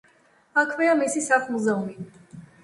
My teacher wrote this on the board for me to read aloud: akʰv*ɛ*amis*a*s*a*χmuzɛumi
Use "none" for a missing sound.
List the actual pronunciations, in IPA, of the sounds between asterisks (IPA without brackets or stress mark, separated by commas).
ɛ, i, a